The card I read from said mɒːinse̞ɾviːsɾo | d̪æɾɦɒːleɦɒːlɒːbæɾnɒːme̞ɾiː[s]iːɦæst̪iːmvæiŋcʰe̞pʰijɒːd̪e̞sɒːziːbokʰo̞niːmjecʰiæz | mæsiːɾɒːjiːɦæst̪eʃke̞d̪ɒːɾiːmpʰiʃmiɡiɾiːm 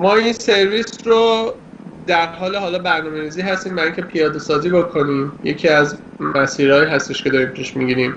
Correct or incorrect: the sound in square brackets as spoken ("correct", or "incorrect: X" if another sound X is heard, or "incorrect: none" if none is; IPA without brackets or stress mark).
incorrect: z